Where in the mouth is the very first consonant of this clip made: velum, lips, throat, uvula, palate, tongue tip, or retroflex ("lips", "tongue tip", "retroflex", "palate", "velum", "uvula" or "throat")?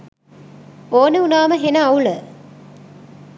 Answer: tongue tip